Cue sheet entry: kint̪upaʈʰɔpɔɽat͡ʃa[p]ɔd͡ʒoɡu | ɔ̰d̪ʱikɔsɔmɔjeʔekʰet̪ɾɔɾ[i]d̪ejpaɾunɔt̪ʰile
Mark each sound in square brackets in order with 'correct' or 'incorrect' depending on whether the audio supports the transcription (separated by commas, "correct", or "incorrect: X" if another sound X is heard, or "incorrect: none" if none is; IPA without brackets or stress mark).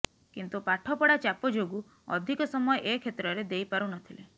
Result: correct, incorrect: e